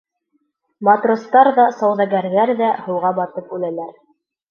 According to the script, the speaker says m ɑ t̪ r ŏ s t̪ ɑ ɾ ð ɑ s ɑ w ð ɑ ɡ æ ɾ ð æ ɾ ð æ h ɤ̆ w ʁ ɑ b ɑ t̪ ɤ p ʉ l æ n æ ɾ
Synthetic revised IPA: m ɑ t̪ r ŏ s t̪ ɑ ɾ ð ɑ s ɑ w ð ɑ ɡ æ ɾ ð æ ɾ ð æ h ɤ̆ w ʁ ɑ b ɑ t̪ ɤ p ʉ l æ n æ ɾ